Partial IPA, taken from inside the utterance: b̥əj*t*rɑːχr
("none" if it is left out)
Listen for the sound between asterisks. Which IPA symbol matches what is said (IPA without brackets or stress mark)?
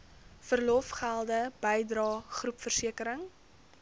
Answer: d